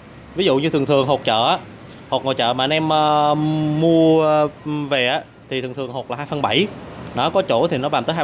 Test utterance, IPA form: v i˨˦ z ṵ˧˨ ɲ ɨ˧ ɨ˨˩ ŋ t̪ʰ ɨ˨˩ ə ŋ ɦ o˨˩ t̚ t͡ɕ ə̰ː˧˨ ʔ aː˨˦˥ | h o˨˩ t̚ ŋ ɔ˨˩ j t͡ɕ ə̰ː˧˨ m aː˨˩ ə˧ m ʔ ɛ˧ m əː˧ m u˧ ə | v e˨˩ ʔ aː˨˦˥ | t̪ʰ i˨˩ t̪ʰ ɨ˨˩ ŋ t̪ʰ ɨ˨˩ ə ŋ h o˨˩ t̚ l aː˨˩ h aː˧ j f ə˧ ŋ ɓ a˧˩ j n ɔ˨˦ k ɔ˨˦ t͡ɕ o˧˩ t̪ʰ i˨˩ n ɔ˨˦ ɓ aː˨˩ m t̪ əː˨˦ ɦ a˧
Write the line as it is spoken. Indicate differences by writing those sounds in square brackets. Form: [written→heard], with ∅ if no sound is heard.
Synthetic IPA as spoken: v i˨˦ z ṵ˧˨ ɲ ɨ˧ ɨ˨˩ ŋ t̪ʰ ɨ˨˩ ə ŋ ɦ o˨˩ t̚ t͡ɕ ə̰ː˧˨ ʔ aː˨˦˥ | h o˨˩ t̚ ŋ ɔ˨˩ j t͡ɕ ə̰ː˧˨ m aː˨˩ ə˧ [m→n] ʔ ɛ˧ m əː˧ m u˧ ə | v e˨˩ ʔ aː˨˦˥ | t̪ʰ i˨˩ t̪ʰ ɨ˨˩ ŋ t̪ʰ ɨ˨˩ ə ŋ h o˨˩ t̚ l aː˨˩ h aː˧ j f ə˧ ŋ ɓ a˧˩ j n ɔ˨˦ k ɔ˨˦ t͡ɕ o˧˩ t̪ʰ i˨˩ n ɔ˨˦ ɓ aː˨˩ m t̪ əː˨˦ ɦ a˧